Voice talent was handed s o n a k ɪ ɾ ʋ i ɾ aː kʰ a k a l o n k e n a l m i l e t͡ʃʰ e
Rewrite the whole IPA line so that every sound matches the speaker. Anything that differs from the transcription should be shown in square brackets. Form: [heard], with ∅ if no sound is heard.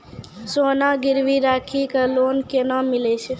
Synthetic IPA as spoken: s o n a [ɡ] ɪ ɾ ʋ i ɾ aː kʰ [i] k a l o n k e n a [∅] m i l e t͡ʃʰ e